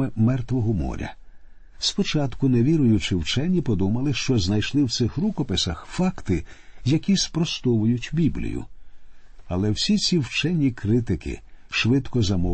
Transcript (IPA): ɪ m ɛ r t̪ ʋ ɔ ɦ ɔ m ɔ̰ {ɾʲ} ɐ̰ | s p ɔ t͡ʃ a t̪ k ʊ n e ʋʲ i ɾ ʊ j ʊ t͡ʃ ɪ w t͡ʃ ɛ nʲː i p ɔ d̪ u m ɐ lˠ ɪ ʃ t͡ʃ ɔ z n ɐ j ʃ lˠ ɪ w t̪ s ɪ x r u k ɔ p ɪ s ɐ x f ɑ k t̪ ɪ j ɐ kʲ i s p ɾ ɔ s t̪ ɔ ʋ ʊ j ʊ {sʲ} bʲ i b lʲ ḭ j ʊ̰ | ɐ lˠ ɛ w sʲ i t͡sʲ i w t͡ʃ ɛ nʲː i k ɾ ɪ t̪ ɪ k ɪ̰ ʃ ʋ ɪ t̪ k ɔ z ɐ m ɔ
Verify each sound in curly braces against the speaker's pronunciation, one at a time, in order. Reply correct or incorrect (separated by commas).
correct, incorrect